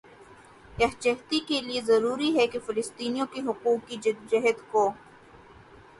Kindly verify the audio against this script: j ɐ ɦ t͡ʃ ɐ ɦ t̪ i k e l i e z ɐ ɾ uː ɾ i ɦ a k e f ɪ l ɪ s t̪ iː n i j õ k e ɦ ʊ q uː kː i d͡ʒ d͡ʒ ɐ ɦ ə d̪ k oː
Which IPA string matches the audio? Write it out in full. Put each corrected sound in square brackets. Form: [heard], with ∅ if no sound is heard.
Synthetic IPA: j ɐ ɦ t͡ʃ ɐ ɦ t̪ i k e l i e z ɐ ɾ uː ɾ i ɦ [ɛ] k e f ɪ l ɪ s t̪ iː n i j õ k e ɦ ʊ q uː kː i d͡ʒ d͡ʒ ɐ ɦ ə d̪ k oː